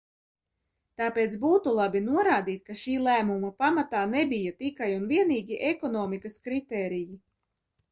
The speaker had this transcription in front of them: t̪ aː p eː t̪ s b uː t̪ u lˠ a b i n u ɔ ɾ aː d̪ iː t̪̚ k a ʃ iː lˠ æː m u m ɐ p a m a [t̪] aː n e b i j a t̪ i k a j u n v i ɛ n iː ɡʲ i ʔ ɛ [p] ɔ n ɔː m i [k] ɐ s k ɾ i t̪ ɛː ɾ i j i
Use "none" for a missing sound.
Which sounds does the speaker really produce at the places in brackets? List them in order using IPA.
t̪, k, k

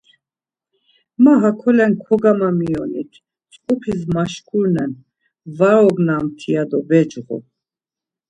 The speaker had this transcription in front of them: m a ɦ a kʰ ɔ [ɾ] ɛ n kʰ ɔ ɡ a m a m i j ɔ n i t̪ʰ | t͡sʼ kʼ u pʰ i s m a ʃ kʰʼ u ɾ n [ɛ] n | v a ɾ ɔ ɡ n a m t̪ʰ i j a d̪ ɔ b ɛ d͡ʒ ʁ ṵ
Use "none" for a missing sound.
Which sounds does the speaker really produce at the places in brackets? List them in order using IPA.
l, ɛ

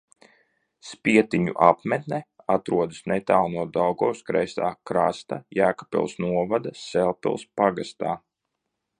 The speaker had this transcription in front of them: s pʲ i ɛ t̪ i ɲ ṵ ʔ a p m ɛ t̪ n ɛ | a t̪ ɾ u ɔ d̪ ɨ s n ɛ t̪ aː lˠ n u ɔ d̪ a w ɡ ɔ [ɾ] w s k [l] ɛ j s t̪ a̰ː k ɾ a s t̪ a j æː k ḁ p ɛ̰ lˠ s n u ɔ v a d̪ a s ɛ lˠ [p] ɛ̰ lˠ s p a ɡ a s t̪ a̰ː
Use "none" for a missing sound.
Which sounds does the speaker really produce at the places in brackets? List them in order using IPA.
none, ɾ, p

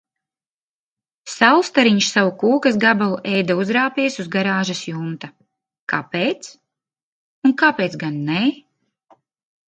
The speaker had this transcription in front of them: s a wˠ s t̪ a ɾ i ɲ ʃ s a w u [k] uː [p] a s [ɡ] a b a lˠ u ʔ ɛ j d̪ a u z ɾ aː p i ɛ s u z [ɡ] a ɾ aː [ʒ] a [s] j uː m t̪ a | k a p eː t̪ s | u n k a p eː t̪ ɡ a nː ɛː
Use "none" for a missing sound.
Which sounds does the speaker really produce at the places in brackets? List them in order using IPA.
k, k, ɡ, ɡ, ʒ, s

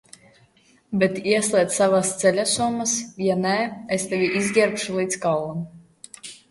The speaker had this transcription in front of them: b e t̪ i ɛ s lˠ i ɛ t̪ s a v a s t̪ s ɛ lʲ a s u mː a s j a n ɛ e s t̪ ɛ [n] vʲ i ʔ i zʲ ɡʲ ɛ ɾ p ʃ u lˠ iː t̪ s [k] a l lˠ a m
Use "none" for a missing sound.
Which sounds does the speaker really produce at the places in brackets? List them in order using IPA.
none, k

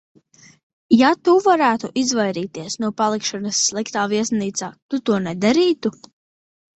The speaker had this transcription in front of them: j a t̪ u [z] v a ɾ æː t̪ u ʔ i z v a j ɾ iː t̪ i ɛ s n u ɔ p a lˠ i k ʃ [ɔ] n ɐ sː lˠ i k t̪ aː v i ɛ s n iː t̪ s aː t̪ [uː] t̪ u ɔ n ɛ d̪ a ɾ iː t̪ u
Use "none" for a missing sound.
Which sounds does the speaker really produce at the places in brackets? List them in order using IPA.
none, ɔ, u

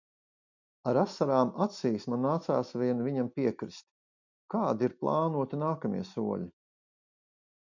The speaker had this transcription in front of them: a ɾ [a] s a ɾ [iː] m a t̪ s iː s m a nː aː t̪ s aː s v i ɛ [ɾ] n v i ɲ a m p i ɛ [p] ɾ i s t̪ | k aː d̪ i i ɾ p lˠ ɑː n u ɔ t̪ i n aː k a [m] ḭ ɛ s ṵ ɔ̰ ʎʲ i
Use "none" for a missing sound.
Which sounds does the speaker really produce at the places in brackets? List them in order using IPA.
a, aː, none, k, m

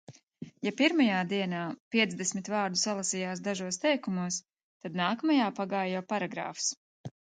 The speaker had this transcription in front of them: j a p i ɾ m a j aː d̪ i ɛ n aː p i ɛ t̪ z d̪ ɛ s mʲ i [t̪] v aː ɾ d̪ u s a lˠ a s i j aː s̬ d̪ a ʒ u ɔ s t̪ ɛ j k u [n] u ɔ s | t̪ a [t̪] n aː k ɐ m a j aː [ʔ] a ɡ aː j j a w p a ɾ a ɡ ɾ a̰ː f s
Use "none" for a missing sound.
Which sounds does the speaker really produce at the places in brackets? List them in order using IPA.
t̪, m, d̪, p

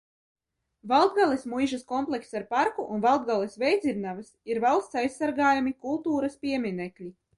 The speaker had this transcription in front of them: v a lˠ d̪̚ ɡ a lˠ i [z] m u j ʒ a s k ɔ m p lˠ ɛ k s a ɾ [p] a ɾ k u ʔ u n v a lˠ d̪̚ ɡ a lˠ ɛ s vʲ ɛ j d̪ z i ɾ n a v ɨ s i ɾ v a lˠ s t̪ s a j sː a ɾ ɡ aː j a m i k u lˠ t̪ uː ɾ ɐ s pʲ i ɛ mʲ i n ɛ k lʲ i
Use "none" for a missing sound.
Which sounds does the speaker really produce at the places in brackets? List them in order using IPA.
s, p

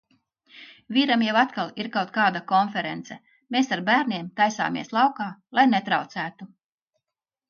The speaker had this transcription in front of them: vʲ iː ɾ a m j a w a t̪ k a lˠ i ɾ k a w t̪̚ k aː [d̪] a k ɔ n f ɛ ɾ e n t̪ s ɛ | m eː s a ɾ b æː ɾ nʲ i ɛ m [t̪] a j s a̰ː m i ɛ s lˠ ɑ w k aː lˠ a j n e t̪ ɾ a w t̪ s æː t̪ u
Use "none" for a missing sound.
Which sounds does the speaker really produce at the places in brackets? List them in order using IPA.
d̪, t̪

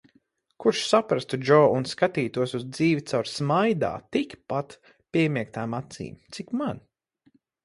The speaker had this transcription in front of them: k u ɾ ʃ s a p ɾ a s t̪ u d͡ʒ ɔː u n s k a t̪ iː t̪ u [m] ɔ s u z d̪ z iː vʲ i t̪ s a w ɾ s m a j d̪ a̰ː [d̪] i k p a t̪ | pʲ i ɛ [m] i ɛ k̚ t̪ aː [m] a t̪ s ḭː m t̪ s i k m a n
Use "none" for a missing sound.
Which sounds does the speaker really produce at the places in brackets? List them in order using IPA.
none, t̪, m, m

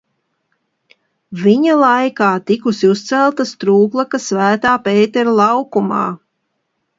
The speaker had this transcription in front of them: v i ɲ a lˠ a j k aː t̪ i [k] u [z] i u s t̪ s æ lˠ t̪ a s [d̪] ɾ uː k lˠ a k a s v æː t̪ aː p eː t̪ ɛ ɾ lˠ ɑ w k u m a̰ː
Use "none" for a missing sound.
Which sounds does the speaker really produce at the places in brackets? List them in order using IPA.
k, s, t̪

